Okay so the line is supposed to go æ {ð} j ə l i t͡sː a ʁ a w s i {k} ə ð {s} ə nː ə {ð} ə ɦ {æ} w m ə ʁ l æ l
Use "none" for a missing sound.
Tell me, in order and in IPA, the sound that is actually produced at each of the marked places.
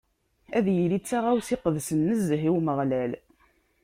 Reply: ð, q, s, z, i

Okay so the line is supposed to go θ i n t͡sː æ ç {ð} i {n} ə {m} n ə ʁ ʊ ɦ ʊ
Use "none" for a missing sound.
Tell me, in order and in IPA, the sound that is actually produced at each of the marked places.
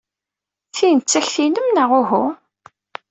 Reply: θ, n, m

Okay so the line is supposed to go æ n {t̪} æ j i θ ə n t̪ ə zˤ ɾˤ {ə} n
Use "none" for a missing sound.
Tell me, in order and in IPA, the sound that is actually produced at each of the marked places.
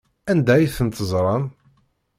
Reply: d̪, ɑ

